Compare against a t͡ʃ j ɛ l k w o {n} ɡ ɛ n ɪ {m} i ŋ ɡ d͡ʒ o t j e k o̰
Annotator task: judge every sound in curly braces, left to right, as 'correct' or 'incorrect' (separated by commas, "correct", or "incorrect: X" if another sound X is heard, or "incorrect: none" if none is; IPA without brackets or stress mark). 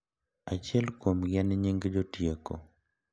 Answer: incorrect: m, incorrect: ɲ